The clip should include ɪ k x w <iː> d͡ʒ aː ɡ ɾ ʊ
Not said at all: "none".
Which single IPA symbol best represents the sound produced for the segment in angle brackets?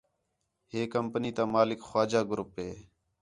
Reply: aː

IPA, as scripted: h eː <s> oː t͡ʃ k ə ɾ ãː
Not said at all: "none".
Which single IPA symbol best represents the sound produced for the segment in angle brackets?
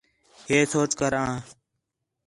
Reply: s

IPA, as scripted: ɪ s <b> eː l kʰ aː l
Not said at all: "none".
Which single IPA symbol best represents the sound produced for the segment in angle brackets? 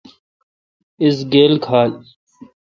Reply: ɡ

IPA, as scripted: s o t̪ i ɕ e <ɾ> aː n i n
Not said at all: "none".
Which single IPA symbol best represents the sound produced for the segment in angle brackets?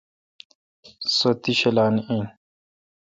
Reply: l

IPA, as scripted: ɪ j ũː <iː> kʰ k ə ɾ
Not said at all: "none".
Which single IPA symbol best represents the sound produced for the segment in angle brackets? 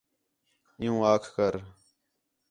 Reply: aː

